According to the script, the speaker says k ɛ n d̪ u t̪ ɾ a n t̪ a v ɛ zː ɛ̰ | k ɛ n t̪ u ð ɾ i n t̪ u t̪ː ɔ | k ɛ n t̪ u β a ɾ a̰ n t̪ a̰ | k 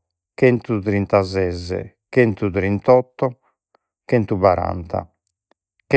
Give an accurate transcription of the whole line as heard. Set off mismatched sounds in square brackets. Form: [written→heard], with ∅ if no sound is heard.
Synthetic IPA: k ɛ n [d̪→t̪] u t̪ ɾ [a→i] n t̪ a [v→z] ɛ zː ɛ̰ | k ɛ n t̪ u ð ɾ i n t̪ [u→ɔ] t̪ː ɔ | k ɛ n t̪ u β a ɾ a̰ n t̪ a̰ | k